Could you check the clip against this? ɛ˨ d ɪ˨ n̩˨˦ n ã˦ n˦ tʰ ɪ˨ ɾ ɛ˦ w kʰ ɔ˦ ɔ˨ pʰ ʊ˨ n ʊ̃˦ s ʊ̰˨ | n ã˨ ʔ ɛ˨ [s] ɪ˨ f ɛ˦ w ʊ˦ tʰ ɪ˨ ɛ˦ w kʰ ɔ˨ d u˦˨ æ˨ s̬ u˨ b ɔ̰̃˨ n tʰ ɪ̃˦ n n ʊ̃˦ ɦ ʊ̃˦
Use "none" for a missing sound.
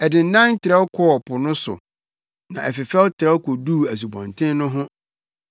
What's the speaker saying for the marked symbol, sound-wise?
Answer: f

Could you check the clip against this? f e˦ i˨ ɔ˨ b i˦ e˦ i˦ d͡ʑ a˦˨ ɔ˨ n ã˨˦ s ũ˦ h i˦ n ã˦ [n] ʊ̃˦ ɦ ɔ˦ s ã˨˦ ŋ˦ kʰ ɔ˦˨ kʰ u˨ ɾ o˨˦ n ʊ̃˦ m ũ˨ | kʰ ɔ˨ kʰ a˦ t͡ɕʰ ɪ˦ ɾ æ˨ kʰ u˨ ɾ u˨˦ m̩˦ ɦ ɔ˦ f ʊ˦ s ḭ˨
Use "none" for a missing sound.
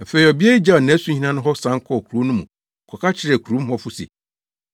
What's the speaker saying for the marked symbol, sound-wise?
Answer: n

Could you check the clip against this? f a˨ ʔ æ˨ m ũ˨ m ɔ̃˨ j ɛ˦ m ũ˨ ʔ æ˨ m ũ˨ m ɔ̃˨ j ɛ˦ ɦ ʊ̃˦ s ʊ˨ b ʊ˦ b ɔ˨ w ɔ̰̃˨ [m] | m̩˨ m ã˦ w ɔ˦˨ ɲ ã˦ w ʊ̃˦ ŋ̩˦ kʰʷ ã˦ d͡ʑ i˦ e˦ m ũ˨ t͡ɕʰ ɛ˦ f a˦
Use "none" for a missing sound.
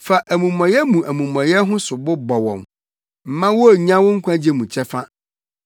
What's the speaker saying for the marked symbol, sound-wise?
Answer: m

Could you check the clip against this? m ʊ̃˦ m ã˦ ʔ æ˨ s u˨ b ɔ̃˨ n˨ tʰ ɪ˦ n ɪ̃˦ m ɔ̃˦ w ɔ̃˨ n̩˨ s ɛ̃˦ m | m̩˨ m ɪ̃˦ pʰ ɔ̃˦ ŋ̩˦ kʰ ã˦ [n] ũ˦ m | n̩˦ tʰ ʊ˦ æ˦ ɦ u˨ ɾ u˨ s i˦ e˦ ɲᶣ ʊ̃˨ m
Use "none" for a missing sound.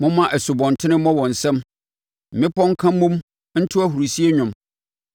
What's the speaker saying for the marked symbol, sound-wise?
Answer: m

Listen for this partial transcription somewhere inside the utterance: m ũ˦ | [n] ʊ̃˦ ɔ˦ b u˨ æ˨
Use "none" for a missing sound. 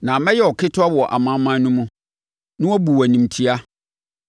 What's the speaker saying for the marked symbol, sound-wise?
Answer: n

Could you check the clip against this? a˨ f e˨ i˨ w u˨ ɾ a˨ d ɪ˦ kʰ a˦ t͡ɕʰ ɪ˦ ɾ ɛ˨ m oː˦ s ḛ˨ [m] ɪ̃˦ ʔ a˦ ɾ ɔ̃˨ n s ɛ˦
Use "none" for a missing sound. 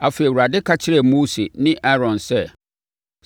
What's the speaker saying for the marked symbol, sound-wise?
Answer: n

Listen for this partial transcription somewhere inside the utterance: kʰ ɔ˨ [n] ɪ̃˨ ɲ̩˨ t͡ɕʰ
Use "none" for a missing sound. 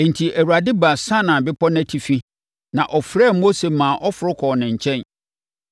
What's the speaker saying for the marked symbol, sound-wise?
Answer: n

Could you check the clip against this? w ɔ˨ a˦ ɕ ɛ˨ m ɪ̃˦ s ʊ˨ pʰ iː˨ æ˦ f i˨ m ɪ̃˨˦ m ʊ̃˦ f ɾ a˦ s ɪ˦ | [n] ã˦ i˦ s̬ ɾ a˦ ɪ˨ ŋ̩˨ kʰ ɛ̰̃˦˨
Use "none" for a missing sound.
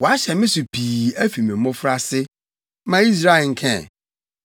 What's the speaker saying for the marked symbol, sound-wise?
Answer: m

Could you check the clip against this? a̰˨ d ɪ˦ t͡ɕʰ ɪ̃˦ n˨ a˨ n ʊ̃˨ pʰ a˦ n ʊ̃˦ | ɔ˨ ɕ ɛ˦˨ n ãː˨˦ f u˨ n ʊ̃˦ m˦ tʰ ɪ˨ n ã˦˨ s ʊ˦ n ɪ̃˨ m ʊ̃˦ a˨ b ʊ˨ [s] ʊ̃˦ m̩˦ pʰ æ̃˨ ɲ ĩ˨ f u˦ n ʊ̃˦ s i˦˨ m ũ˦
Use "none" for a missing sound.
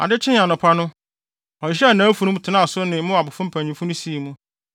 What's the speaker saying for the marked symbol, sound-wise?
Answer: f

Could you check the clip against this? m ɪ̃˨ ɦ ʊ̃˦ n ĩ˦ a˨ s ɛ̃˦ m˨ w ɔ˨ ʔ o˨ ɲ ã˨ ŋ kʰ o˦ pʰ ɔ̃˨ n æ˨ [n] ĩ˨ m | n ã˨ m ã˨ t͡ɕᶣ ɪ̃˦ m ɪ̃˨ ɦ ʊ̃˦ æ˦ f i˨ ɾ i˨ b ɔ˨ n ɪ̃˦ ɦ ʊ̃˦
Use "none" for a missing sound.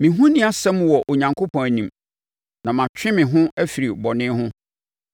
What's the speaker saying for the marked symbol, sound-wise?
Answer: n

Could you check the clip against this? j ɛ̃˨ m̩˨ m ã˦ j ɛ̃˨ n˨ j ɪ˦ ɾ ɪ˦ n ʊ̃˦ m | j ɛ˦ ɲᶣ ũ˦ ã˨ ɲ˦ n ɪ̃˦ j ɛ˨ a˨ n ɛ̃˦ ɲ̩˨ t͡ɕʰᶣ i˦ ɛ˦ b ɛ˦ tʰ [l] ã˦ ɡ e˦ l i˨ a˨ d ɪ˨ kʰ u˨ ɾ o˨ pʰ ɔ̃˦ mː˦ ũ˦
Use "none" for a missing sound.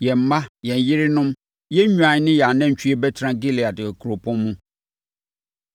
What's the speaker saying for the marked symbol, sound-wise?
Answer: ɾ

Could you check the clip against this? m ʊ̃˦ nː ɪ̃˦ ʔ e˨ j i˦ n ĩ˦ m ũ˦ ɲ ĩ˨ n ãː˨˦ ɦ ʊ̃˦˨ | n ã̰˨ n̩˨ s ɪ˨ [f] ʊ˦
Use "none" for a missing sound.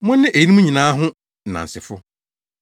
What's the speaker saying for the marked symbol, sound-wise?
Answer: f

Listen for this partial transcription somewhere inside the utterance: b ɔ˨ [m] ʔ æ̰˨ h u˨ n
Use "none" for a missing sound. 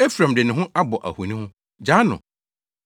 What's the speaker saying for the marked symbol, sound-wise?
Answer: none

